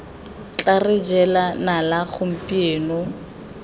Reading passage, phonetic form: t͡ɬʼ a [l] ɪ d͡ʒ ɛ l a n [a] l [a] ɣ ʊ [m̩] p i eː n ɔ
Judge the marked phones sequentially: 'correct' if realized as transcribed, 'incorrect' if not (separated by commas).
incorrect, correct, correct, correct